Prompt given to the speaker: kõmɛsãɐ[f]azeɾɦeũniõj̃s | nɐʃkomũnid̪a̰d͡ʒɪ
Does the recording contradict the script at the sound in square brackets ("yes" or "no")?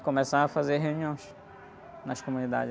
no